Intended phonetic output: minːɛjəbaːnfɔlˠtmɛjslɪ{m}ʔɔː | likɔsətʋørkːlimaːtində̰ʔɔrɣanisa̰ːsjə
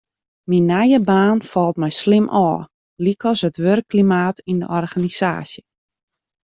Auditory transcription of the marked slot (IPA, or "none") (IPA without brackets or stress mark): m